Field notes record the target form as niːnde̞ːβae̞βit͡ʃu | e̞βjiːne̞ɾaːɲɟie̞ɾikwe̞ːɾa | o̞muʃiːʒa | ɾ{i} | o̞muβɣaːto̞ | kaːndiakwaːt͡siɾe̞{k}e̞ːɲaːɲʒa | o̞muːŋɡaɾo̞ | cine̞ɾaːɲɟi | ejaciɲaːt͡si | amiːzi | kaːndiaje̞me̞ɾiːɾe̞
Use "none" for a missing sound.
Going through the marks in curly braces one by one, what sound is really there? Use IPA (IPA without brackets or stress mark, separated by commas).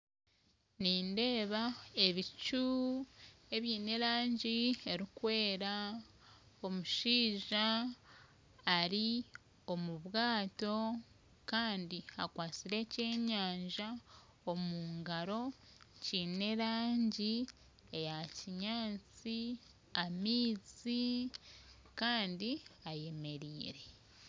i, c